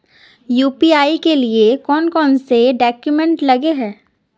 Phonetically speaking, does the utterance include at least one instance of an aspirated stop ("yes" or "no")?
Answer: no